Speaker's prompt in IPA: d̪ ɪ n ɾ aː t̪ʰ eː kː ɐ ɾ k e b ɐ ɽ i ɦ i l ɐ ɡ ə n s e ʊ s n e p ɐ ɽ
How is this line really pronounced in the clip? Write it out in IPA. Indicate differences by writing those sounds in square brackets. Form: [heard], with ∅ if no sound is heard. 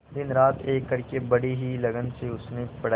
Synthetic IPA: d̪ ɪ n ɾ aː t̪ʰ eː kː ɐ ɾ k e b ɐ ɽ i ɦ i l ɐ ɡ ə n s e ʊ s n e p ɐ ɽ